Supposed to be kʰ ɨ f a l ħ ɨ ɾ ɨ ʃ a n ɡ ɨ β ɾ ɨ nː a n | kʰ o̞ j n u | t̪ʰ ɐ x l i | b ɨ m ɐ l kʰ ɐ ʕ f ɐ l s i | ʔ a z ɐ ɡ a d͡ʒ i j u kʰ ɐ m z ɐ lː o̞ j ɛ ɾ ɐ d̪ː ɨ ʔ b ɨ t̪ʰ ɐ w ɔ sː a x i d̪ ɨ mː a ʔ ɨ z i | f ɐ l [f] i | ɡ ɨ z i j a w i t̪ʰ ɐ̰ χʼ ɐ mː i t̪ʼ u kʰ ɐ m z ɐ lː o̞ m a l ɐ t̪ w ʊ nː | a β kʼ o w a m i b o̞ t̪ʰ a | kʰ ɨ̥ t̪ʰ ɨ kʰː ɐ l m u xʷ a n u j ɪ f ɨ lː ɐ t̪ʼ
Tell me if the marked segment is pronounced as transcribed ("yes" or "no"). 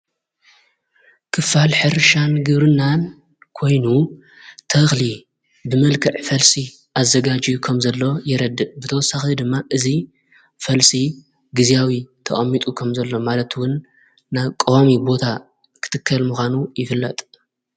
no